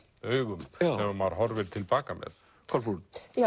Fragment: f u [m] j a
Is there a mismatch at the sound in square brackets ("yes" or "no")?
yes